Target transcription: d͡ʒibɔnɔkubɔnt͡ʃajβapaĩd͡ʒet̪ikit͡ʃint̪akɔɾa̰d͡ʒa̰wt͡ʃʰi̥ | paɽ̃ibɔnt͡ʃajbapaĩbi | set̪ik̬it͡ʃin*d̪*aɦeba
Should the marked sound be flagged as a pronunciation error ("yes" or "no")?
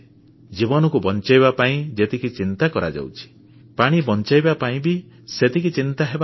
yes